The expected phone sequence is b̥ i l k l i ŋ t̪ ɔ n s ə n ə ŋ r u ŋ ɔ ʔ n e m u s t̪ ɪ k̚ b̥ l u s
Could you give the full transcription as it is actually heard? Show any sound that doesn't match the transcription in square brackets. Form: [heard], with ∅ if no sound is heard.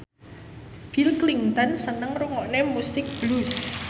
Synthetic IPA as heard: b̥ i l k l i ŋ t̪ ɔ n s ə n ə ŋ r u ŋ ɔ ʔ n e m u s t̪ ɪ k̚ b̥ l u s